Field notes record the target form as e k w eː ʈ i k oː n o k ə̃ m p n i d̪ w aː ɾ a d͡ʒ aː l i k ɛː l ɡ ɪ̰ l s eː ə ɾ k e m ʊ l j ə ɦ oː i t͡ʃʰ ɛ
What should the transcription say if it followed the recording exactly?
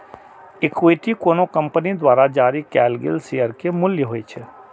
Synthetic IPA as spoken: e k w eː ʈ i k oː n o k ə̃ m p n i d̪ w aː ɾ a d͡ʒ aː ɾ i k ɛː l ɡ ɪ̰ l s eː ə ɾ k e m ʊ l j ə ɦ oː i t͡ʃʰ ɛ